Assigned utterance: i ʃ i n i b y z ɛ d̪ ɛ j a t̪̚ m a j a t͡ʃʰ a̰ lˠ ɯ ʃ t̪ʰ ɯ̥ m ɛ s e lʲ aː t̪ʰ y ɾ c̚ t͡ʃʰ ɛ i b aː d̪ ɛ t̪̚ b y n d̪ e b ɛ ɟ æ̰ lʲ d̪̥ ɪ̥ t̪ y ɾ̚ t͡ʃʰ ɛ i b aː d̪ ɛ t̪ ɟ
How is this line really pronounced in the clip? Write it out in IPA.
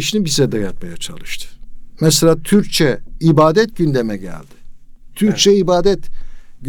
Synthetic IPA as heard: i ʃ i n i b i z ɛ d̪ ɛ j a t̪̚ m a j a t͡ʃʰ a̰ lˠ ɯ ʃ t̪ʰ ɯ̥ m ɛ s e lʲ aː t̪ʰ y ɾ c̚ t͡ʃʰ ɛ i b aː d̪ ɛ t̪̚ ɟ y n d̪ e m ɛ ɟ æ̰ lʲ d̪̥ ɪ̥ t̪ʰ y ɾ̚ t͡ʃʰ ɛ i b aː d̪ ɛ t̪ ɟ